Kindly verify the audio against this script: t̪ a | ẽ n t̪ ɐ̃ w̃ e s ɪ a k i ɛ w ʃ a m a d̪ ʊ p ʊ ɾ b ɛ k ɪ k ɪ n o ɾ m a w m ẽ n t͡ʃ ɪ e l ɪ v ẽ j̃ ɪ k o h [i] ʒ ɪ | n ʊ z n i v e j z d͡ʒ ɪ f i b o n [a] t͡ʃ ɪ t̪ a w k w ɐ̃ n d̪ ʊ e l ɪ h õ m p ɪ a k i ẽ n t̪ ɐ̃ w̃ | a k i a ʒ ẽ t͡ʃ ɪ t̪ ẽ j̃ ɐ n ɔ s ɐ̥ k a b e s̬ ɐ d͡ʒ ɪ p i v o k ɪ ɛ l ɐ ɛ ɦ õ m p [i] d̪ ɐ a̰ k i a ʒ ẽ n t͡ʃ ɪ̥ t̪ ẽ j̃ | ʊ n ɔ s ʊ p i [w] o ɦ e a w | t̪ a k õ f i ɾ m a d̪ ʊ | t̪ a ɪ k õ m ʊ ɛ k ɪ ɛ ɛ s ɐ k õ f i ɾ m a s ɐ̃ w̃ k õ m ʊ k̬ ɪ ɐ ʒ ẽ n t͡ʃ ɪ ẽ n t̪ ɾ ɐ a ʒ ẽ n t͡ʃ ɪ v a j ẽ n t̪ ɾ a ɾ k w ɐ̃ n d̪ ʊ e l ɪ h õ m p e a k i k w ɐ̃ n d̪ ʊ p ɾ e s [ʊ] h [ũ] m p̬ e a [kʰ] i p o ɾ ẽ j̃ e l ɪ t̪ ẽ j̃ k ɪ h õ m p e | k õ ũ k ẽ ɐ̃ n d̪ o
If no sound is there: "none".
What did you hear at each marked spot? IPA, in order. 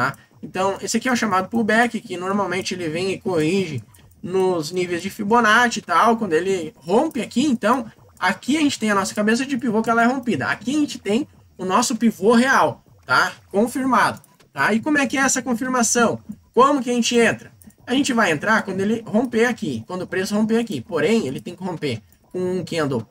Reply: i, a, i, v, ʊ, õ, k

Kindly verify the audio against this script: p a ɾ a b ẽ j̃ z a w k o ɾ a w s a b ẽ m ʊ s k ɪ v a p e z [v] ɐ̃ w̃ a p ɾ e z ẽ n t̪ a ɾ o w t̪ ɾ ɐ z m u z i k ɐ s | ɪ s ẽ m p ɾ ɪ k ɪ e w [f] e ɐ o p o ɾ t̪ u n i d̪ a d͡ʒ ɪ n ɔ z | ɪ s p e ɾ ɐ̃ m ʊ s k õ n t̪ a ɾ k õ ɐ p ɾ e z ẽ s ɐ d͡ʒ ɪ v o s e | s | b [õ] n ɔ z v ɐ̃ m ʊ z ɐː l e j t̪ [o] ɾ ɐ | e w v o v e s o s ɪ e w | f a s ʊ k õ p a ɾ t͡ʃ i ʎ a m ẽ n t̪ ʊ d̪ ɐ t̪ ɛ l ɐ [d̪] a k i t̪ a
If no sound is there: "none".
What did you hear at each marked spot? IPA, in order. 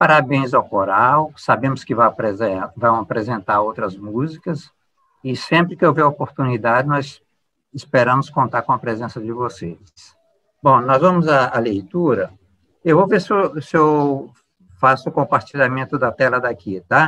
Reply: v, v, õ, u, d̪

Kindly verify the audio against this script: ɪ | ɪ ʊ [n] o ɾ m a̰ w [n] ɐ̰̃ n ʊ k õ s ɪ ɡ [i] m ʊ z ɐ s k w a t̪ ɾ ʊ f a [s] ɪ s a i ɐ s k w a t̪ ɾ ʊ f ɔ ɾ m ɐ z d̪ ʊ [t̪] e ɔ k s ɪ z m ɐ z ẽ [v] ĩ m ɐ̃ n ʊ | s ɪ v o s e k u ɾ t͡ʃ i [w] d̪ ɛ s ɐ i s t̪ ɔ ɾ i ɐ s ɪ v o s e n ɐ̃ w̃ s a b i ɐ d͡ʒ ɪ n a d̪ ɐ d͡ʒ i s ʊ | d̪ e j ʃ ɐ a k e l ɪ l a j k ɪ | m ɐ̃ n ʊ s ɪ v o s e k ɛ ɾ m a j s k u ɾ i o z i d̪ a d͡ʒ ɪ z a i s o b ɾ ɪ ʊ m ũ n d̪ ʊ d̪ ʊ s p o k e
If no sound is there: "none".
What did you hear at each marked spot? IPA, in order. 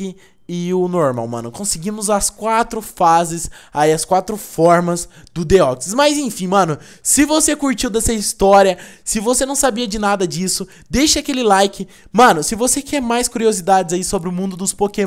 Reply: n, m, ĩ, z, d̪, f, w

